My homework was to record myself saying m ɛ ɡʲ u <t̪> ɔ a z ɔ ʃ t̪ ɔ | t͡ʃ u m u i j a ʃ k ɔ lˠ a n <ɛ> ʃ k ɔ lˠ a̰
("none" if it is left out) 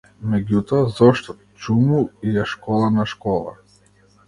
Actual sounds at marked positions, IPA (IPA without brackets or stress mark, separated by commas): t̪, a